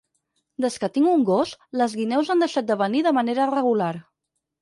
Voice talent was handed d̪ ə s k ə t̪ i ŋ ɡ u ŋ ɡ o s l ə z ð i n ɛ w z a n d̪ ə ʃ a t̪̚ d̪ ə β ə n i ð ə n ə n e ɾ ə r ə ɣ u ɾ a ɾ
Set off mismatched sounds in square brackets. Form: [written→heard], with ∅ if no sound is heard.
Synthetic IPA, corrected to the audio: d̪ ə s k ə t̪ i ŋ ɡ u ŋ ɡ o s l ə z [ð→ɣ] i n ɛ w z a n d̪ ə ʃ a t̪̚ d̪ ə β ə n i ð ə [n→m] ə n e ɾ ə r ə ɣ u [ɾ→l] a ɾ

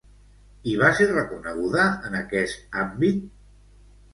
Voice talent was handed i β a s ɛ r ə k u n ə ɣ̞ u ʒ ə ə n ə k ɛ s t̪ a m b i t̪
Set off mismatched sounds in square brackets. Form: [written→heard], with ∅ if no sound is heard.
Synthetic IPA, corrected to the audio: i β a s [ɛ→e] r ə k u n ə ɣ̞ u [ʒ→ð] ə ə n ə k ɛ s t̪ a m b i t̪

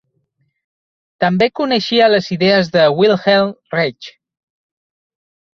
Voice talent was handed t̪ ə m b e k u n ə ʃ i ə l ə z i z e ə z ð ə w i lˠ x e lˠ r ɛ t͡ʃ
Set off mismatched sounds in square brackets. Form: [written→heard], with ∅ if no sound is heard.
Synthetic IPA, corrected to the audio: t̪ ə m b e k u n ə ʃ i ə l ə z i [z→ð] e ə z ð ə w i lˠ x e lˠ r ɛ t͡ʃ

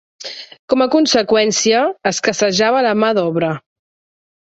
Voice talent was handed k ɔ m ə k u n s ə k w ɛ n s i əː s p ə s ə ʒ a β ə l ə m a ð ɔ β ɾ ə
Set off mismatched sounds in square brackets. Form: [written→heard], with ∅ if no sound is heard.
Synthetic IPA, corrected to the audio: k ɔ m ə k u n s ə k w ɛ n s i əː s [p→k] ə s ə ʒ a β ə l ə m a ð ɔ β ɾ ə

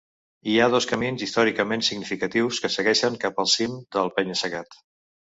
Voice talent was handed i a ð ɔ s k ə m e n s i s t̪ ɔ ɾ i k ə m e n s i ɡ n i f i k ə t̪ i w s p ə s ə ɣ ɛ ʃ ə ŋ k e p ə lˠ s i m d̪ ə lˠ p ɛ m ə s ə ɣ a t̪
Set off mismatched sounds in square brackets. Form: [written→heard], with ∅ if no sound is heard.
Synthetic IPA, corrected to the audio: i a ð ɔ s k ə m [e→i] n [s→z] i s t̪ ɔ ɾ i k ə m e n s i ɡ n i f i k ə t̪ i w s [p→k] ə s ə ɣ ɛ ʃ ə ŋ k [e→a] p ə lˠ s i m d̪ ə lˠ p ɛ [m→ɲ] ə s ə ɣ a t̪

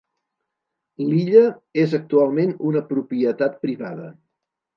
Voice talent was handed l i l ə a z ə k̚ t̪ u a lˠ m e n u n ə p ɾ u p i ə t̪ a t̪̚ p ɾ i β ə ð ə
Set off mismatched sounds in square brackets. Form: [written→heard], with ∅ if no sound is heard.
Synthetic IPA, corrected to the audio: l i [l→ʎ] ə [a→e] z ə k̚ t̪ u a lˠ m e n u n ə p ɾ u p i ə t̪ a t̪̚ p ɾ i β [ə→a] ð ə

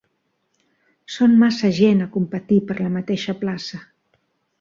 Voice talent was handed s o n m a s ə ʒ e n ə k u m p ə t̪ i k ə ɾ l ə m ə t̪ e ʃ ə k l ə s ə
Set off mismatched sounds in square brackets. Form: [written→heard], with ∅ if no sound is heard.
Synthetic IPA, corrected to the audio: s o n m a s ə ʒ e n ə k u m p ə t̪ i [k→p] ə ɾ l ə m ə t̪ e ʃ ə [k→p] l [ə→a] s ə

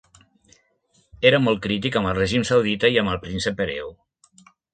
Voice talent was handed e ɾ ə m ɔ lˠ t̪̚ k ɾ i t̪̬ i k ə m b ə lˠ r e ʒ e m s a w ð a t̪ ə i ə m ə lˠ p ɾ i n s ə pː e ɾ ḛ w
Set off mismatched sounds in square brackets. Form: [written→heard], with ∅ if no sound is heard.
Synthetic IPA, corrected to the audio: e ɾ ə m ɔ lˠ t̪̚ k ɾ i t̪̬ i k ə m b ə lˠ r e ʒ [e→i] m s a w ð [a→i] t̪ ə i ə m ə lˠ p ɾ i n s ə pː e ɾ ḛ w

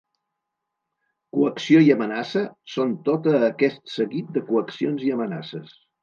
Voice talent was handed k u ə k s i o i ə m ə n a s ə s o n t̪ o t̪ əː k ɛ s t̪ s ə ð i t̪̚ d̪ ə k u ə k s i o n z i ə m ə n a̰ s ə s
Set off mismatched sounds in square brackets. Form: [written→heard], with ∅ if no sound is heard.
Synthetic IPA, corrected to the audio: k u ə k s i o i ə m ə n a s ə s o n t̪ o t̪ əː k ɛ s t̪ s ə [ð→ɣ] i t̪̚ d̪ ə k u ə k s i o n z i ə m ə n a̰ s ə s

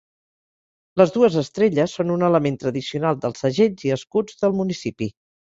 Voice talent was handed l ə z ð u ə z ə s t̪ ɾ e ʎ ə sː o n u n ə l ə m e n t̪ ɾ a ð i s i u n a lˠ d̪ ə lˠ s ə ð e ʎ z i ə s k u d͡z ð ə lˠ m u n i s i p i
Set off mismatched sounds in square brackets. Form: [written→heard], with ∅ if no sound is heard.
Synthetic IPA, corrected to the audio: l ə z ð u ə z ə s t̪ ɾ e ʎ ə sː o n u n ə l ə m e n t̪ ɾ [a→ə] ð i s i u n a lˠ d̪ ə lˠ s ə [ð→ʒ] e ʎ z i ə s k u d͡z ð ə lˠ m u n i s i p i

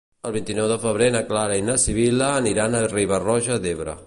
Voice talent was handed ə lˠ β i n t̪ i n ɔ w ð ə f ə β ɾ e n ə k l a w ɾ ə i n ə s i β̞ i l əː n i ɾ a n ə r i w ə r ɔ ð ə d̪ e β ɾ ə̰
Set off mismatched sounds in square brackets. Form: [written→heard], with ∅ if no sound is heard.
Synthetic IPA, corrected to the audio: ə lˠ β i n t̪ i n ɔ w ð ə f ə β ɾ e n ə k l a [w→∅] ɾ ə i n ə s i β̞ i l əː n i ɾ a n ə r i [w→β] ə r ɔ [ð→ʒ] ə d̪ e β ɾ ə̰

